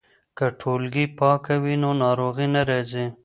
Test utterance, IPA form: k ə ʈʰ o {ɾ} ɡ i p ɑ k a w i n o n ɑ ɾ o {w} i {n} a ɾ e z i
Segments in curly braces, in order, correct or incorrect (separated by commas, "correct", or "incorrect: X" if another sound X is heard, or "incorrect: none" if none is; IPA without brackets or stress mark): incorrect: l, incorrect: ɣ, correct